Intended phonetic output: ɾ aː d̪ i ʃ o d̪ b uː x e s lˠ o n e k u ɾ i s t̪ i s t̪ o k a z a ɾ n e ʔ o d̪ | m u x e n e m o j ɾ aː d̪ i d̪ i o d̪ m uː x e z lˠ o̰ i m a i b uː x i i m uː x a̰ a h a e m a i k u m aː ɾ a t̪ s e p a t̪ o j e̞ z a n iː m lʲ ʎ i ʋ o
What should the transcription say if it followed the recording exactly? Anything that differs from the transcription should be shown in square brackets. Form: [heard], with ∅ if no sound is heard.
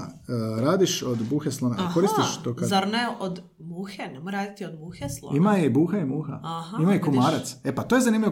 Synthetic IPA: ɾ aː d̪ i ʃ o d̪ b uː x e s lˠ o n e k [o] ɾ i s t̪ i [ʃ] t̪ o k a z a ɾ n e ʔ o d̪ | m u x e n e m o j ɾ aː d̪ i [t̪] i o d̪ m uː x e [s] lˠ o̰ i m a i b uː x [a] i m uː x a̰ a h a [i] m a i k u m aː ɾ a t̪ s e p a t̪ o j e̞ z a n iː m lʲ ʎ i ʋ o